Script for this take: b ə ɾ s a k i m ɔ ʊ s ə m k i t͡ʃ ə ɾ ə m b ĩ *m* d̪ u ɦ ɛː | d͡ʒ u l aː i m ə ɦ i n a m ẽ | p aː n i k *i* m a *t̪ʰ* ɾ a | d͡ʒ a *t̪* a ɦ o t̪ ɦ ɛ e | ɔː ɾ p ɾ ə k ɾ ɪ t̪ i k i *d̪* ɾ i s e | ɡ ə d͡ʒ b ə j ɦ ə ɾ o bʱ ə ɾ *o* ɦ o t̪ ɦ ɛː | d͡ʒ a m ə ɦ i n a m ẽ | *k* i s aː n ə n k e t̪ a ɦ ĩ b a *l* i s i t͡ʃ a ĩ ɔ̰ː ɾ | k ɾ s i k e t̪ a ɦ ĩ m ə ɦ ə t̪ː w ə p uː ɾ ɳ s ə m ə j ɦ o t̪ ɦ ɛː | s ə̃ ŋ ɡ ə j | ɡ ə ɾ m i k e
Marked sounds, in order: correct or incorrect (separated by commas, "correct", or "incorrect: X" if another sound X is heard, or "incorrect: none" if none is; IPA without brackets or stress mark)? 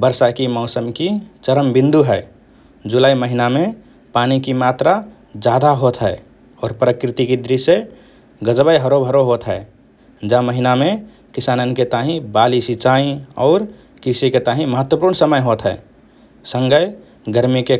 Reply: incorrect: n, correct, incorrect: t̪, incorrect: d̪, correct, correct, correct, correct